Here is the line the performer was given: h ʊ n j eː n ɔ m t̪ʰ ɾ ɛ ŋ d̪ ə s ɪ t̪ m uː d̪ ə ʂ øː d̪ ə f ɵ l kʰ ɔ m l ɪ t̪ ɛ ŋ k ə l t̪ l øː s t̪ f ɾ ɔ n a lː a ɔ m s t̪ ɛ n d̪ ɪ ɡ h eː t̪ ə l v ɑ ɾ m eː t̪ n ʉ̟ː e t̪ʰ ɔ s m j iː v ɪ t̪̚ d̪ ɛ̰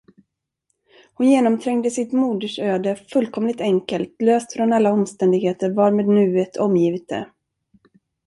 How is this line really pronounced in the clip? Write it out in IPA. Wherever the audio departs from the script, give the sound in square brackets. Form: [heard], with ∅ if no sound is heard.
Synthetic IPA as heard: h ʊ n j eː n ɔ m t̪ʰ ɾ ɛ ŋ d̪ ə s ɪ t̪ m uː d̪ ə ʂ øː d̪ ə f ɵ l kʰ ɔ m l ɪ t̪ ɛ ŋ k ə l t̪ l øː s t̪ f ɾ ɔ n a lː a ɔ m s t̪ ɛ n d̪ ɪ ɡ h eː t̪ ə [ɾ] v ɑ ɾ m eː [d̪] n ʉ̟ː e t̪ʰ ɔ [∅] m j iː v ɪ t̪̚ d̪ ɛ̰

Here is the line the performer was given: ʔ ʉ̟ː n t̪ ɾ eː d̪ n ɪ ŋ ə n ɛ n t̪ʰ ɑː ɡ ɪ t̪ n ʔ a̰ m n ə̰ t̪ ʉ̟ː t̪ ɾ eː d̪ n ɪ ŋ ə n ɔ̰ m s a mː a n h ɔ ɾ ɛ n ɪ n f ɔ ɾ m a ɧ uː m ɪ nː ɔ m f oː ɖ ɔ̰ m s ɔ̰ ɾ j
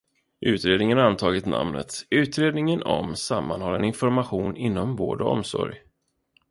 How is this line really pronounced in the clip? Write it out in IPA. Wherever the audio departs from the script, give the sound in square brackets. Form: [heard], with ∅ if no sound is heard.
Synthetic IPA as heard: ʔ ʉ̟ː [∅] t̪ ɾ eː d̪ n ɪ ŋ ə n [a] n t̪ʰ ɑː ɡ ɪ t̪ n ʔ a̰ m n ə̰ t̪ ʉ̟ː t̪ ɾ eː d̪ n ɪ ŋ ə n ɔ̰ m s a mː a n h ɔ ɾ ɛ n ɪ n f ɔ ɾ m a ɧ uː [n] ɪ nː ɔ m [v] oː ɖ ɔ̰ m s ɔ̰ ɾ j

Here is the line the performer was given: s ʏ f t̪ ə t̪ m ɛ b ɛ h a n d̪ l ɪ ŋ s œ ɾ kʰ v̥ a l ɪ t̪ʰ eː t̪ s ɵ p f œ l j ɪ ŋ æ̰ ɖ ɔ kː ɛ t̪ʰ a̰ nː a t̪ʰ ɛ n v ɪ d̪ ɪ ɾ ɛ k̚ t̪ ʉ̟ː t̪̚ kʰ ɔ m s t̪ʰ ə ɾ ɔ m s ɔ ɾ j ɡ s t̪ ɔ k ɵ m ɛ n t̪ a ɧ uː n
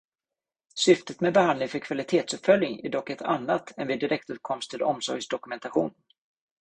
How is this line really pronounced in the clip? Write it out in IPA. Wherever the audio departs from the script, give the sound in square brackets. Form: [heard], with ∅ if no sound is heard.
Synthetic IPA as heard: s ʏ f t̪ ə t̪ m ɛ b ɛ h a n d̪ l ɪ ŋ [f] œ ɾ kʰ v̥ a l ɪ t̪ʰ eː t̪ s ɵ p f œ l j ɪ ŋ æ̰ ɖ ɔ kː ɛ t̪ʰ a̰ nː a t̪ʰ ɛ n v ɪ d̪ ɪ ɾ ɛ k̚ t̪ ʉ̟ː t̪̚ kʰ ɔ m s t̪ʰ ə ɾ ɔ m s ɔ ɾ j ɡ s [d̪] ɔ k ɵ m ɛ n t̪ a ɧ uː n

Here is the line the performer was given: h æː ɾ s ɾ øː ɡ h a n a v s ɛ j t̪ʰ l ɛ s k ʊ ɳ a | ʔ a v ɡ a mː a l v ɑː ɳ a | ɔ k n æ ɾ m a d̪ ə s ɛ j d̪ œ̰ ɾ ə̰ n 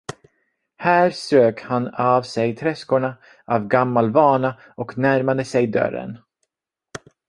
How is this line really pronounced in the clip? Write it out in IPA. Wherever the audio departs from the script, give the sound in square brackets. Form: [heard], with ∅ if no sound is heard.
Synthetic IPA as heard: h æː ɾ s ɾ øː [k] h a n a v s ɛ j t̪ʰ [ɾ] ɛ s k ʊ ɳ a | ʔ a v ɡ a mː a l v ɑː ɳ a | ɔ k n æ ɾ m a d̪ ə s ɛ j d̪ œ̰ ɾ ə̰ n

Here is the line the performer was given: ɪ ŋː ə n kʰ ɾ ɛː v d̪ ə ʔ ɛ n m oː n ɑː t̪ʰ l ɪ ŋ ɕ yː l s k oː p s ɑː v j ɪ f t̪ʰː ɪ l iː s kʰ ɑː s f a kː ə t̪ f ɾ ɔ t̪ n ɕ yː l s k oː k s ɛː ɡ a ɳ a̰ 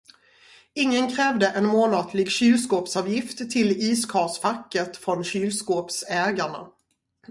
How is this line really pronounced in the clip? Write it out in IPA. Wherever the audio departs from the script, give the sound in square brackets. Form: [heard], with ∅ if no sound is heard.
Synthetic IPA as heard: ɪ ŋː ə n kʰ ɾ ɛː v d̪ ə ʔ ɛ n m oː n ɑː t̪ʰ l ɪ [ɡ] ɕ yː l s k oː p s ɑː v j ɪ f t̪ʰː ɪ l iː s kʰ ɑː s f a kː ə t̪ f ɾ ɔ [∅] n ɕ yː l s k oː [p] s ɛː ɡ a ɳ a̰

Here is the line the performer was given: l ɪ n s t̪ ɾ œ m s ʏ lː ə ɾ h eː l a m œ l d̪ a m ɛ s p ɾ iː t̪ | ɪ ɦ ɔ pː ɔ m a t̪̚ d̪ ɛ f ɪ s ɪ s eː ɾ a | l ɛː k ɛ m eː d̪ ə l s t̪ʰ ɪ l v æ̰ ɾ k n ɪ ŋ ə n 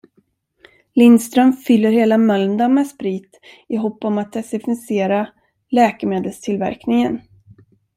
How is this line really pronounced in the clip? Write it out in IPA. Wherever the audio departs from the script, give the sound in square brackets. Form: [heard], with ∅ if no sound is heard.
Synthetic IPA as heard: l ɪ n s t̪ ɾ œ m [f] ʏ lː ə ɾ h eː l a m œ l d̪ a m ɛ s p ɾ iː t̪ | ɪ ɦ ɔ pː ɔ m a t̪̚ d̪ ɛ [s] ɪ [f] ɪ s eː ɾ a | l ɛː k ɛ m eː d̪ ə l s t̪ʰ ɪ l v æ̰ ɾ k n ɪ ŋ ə n

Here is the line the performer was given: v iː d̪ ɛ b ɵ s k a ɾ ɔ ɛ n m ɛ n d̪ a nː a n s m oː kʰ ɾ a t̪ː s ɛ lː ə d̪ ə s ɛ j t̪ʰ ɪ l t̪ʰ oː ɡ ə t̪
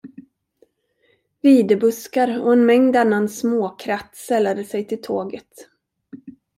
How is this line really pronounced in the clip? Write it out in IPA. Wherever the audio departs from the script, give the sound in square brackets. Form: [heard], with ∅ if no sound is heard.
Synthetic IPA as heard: v iː d̪ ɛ b ɵ s k a ɾ ɔ ɛ n m ɛ [ŋ] d̪ a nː a n s m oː kʰ ɾ a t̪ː s ɛ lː [a] d̪ ə s ɛ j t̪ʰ ɪ l t̪ʰ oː ɡ ə t̪

